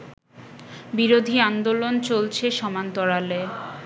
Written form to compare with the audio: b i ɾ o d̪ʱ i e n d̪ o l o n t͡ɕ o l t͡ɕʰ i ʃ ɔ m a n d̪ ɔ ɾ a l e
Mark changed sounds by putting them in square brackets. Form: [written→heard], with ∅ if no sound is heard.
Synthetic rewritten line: b i ɾ o d̪ʱ i [e→a] n d̪ o l o n t͡ɕ o l t͡ɕʰ [i→e] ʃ ɔ m a n [d̪→t̪] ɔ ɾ a l e